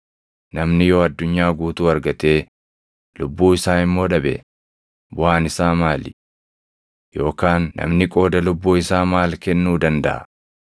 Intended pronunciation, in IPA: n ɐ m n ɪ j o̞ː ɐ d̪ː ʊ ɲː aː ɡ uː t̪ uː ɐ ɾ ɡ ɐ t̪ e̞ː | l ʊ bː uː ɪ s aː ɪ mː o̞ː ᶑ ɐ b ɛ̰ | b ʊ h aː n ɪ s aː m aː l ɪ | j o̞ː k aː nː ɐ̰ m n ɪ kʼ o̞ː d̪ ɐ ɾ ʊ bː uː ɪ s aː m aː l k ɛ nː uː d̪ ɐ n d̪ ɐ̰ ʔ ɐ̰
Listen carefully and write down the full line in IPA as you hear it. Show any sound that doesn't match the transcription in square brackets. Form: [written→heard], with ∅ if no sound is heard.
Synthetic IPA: n ɐ m n ɪ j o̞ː ɐ d̪ː ʊ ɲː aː ɡ uː t̪ uː ɐ ɾ ɡ ɐ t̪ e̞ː | l ʊ bː uː ɪ s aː ɪ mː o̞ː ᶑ ɐ b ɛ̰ | b ʊ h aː n ɪ s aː m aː l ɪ | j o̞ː k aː nː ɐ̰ m n ɪ kʼ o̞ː d̪ ɐ [ɾ→l] ʊ bː uː ɪ s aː m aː l k ɛ nː uː d̪ ɐ n d̪ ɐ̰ ʔ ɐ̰

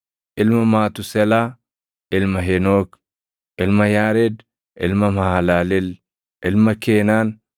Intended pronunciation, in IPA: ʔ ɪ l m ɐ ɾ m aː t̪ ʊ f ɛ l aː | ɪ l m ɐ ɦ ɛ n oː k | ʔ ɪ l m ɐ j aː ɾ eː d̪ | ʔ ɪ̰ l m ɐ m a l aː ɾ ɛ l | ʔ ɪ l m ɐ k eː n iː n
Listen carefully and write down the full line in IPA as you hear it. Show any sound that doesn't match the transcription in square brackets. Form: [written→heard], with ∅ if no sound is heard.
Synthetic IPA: ʔ ɪ l m ɐ [ɾ→∅] m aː t̪ ʊ [f→s] ɛ l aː | ɪ l m ɐ ɦ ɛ n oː k | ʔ ɪ l m ɐ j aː ɾ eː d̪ | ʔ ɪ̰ l m ɐ m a l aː [ɾ→l] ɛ l | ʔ ɪ l m ɐ k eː n [iː→aː] n

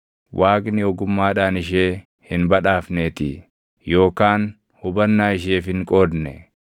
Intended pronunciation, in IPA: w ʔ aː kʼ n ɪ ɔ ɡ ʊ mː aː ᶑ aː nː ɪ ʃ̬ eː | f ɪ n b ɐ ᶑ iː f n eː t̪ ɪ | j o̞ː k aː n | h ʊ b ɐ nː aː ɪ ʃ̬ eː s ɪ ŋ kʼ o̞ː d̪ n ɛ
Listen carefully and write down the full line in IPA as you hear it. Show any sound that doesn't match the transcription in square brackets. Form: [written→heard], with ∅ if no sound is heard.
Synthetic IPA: w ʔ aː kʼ n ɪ ɔ ɡ ʊ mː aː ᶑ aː [nː→n] ɪ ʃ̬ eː | [f→h] ɪ n b ɐ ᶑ [iː→aː] f n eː t̪ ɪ | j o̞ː k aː n | h ʊ b ɐ nː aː ɪ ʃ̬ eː [s→f] ɪ ŋ kʼ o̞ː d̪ n ɛ

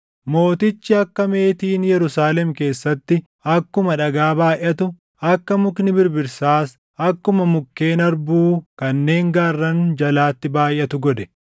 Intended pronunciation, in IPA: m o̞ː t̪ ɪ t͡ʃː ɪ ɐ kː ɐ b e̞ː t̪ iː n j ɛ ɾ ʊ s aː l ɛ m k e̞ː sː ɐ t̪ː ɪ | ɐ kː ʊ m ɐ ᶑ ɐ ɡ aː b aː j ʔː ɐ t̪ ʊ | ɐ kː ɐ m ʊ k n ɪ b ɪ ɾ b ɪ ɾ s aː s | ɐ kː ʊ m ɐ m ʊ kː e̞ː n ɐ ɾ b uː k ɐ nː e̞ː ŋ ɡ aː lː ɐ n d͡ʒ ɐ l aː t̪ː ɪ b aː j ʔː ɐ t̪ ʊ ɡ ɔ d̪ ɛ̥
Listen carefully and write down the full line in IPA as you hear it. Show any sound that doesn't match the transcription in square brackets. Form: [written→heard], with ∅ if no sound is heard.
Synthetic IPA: m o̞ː t̪ ɪ t͡ʃː ɪ ɐ kː ɐ [b→m] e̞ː t̪ iː n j ɛ ɾ ʊ s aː l ɛ m k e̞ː sː ɐ t̪ː ɪ | ɐ kː ʊ m ɐ ᶑ ɐ ɡ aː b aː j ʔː ɐ t̪ ʊ | ɐ kː ɐ m ʊ k n ɪ b ɪ ɾ b ɪ ɾ s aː s | ɐ kː ʊ m ɐ m ʊ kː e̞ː n ɐ ɾ b uː k ɐ nː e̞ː ŋ ɡ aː [lː→rː] ɐ n d͡ʒ ɐ l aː t̪ː ɪ b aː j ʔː ɐ t̪ ʊ ɡ ɔ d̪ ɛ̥

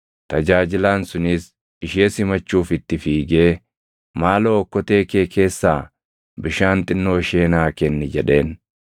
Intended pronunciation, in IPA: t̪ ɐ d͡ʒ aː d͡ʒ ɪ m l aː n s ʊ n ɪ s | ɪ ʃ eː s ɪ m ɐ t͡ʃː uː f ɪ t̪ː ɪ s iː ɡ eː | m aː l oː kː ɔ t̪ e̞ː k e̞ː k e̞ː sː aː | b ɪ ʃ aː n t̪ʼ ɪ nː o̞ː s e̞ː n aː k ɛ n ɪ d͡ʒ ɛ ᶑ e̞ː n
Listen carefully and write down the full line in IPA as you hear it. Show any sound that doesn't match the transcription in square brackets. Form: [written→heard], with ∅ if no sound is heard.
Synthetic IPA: t̪ ɐ d͡ʒ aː d͡ʒ ɪ [m→∅] l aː n s ʊ n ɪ s | ɪ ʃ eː s ɪ m ɐ t͡ʃː uː f ɪ t̪ː ɪ [s→f] iː ɡ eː | m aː l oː kː ɔ t̪ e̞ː k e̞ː k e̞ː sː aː | b ɪ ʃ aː n t̪ʼ ɪ nː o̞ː [s→ʃ] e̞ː n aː k ɛ [n→nː] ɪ d͡ʒ ɛ ᶑ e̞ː n

